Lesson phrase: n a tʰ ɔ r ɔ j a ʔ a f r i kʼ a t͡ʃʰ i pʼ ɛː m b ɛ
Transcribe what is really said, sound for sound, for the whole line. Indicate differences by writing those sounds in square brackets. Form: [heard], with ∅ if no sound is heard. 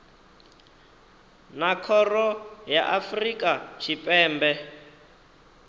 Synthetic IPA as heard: n a [kʰ] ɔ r ɔ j a ʔ a f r i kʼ a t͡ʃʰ i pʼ ɛː m b ɛ